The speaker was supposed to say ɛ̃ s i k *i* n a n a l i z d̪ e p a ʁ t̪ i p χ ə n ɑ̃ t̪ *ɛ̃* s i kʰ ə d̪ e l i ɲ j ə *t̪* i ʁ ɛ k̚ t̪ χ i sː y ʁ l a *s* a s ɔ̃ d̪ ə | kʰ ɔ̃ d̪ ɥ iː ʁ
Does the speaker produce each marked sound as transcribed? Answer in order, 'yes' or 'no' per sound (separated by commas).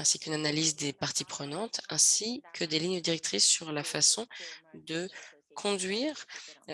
no, yes, no, no